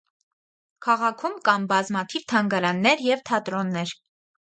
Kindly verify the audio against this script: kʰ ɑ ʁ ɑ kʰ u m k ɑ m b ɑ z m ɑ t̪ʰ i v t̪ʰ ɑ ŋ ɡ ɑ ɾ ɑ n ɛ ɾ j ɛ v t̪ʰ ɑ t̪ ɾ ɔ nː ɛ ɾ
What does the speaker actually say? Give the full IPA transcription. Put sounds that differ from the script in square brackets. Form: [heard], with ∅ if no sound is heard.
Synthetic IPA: kʰ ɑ ʁ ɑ kʰ u m k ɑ m b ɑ z m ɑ t̪ʰ i v t̪ʰ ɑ ŋ ɡ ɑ ɾ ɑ [nː] ɛ ɾ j ɛ v t̪ʰ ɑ t̪ ɾ ɔ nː ɛ ɾ

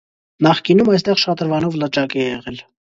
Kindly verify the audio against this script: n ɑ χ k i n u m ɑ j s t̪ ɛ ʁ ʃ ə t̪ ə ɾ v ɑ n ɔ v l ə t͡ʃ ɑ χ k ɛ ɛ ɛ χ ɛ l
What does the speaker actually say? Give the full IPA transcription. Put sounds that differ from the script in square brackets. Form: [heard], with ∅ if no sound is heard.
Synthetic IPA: n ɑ χ k i n u m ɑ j s t̪ ɛ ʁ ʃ [ɑ] t̪ ə ɾ v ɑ n ɔ v l ə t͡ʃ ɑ [∅] k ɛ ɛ ɛ [ʁ] ɛ l

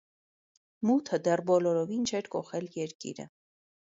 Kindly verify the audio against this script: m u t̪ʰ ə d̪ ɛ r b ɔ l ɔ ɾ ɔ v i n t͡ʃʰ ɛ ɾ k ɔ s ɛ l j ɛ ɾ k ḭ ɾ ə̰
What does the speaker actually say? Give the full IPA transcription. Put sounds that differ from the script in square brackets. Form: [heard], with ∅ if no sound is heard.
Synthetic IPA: m u t̪ʰ ə d̪ ɛ r b ɔ l ɔ ɾ ɔ v i n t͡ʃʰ ɛ ɾ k ɔ [χ] ɛ l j ɛ ɾ k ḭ ɾ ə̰

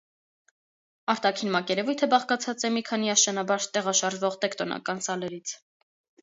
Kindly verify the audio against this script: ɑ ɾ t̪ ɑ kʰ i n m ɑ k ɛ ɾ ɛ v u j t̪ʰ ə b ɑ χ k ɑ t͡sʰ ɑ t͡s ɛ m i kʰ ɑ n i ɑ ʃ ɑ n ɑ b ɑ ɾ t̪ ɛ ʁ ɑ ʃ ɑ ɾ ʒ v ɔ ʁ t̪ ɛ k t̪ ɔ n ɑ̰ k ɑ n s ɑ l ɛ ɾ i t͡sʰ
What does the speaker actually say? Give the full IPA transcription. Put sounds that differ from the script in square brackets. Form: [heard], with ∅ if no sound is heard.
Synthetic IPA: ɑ ɾ t̪ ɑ kʰ i n m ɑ k ɛ ɾ ɛ v u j t̪ʰ ə b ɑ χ k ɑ t͡sʰ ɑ t͡s ɛ m i kʰ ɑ n i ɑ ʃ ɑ n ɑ b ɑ ɾ t̪ ɛ ʁ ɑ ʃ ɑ ɾ ʒ v ɔ ʁ t̪ ɛ k t̪ ɔ n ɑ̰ k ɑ n s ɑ l ɛ ɾ i t͡sʰ

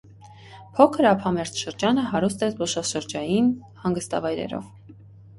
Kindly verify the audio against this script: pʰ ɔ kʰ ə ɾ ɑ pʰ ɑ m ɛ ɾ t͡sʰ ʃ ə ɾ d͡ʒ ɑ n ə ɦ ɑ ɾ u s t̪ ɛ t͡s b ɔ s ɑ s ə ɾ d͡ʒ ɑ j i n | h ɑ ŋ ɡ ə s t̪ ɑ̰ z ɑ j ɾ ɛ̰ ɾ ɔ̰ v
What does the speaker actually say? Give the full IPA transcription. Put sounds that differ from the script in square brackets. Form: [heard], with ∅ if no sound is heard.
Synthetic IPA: pʰ ɔ kʰ ə ɾ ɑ pʰ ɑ m ɛ ɾ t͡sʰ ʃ ə ɾ d͡ʒ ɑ n ə ɦ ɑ ɾ u s t̪ ɛ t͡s b ɔ [ʃ] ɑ [ʃ] ə ɾ d͡ʒ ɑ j i n | h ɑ ŋ ɡ ə s t̪ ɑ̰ [v] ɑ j ɾ ɛ̰ ɾ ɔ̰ v

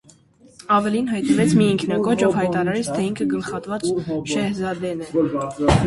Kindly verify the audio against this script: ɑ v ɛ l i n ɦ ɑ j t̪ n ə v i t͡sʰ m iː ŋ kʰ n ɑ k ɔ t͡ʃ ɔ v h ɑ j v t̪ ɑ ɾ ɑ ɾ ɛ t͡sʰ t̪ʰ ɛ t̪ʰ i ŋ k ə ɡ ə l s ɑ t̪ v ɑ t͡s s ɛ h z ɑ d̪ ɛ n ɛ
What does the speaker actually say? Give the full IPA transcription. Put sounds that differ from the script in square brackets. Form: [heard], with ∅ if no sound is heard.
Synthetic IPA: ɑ v ɛ l i n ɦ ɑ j t̪ n ə v [ɛ] t͡sʰ m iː ŋ kʰ n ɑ k ɔ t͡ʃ ɔ v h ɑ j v t̪ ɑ ɾ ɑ ɾ ɛ t͡sʰ t̪ʰ ɛ [∅] i ŋ [kʰ] ə ɡ ə l [χ] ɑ t̪ v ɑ t͡s [ʃ] ɛ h z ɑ d̪ ɛ n ɛ

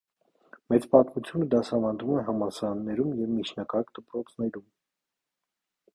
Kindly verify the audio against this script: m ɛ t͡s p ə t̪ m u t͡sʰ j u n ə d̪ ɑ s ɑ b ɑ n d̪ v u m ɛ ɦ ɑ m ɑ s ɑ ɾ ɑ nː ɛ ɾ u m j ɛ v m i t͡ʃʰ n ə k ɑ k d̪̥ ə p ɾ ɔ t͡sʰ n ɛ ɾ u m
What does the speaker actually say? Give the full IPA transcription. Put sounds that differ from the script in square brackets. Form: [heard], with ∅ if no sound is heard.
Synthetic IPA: m ɛ t͡s p [ɑ] t̪ m u t͡sʰ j u n ə d̪ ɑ s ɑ [v] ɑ n d̪ v u m ɛ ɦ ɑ m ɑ s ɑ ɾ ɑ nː ɛ ɾ u m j ɛ v m i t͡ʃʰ n [ɑ] k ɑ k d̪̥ ə p ɾ ɔ t͡sʰ n ɛ ɾ u m

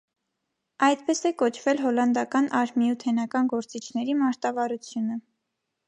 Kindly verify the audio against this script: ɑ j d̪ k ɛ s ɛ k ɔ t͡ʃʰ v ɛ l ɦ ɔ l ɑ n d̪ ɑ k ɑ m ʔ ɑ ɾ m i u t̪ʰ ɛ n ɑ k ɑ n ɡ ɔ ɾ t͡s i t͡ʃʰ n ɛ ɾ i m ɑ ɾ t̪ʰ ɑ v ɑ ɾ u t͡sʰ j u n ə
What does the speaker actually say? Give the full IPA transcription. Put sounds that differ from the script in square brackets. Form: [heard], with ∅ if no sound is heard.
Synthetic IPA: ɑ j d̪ [p] ɛ s ɛ k ɔ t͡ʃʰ v ɛ l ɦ ɔ l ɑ n d̪ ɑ k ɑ [n] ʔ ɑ ɾ m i u t̪ʰ ɛ n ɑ k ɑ n ɡ ɔ ɾ t͡s i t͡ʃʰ n ɛ ɾ i m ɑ ɾ [t̪] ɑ v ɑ ɾ u t͡sʰ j u n ə

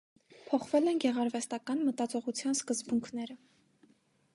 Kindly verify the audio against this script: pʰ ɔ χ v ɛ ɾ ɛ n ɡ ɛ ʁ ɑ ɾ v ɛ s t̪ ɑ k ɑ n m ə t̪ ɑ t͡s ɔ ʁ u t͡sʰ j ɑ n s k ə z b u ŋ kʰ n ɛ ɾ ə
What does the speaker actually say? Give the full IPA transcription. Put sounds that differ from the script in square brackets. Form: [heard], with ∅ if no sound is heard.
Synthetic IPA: pʰ ɔ χ v ɛ [l] ɛ n ɡ ɛ ʁ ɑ ɾ v ɛ s t̪ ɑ k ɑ n m ə t̪ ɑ t͡s ɔ ʁ u t͡sʰ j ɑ n s k ə z b u ŋ kʰ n ɛ ɾ ə

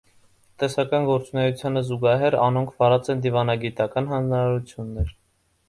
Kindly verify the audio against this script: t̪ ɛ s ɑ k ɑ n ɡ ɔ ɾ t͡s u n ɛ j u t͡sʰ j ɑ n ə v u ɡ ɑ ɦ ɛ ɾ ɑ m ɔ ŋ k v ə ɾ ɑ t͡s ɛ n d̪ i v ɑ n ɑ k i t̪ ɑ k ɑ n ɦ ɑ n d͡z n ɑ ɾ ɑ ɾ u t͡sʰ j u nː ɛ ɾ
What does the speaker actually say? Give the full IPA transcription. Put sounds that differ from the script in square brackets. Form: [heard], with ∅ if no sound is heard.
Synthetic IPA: t̪ ɛ s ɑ k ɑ n ɡ ɔ ɾ t͡s u n ɛ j u t͡sʰ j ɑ n ə [z] u ɡ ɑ ɦ ɛ ɾ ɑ [n] ɔ ŋ [kʰ] v [ɑ] ɾ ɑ t͡s ɛ n d̪ i v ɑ n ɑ [ɡ] i t̪ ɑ k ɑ n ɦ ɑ n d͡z n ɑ ɾ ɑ ɾ u t͡sʰ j u nː ɛ ɾ

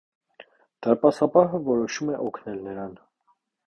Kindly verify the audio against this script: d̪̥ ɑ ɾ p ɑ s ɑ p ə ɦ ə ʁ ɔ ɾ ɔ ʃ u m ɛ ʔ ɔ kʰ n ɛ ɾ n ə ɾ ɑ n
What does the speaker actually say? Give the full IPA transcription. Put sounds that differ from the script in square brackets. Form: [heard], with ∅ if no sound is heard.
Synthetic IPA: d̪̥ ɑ ɾ p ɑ s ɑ p [ɑ] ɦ ə [v] ɔ ɾ ɔ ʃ u m ɛ ʔ ɔ kʰ n ɛ [l] n ə ɾ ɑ n

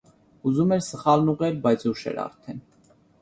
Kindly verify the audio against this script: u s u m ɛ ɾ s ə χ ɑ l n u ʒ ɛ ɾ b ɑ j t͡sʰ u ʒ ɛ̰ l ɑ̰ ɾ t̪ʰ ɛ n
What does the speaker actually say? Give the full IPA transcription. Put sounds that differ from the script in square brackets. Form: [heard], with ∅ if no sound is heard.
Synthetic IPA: u [z] u m ɛ ɾ s ə χ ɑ l n u [ʁ] ɛ ɾ b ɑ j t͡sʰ u [ʃ] ɛ̰ [ɾ] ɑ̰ ɾ t̪ʰ ɛ n

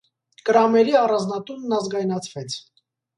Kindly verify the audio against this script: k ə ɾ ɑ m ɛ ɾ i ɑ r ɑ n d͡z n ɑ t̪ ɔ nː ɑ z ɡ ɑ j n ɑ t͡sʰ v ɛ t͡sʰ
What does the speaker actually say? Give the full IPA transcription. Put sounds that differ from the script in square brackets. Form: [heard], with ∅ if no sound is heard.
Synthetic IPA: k ə ɾ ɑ m ɛ ɾ i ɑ r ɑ n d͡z n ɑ t̪ [u] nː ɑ z ɡ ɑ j n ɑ t͡sʰ v ɛ t͡sʰ

